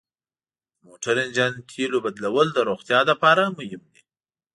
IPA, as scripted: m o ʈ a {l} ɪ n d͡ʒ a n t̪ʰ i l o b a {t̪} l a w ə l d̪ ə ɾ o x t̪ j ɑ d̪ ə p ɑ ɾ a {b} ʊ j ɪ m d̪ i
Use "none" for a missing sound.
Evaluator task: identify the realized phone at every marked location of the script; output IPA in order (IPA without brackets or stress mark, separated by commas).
ɾ, d̪, m